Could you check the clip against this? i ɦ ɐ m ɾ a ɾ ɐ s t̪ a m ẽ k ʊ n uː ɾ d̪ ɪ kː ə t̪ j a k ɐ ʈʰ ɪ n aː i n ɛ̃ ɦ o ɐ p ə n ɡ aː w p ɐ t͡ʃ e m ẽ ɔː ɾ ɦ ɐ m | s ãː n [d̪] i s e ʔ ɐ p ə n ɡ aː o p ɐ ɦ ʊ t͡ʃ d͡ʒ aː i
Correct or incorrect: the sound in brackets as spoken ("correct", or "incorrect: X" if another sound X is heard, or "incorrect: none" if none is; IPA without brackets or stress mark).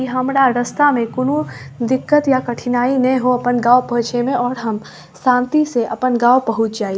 incorrect: t̪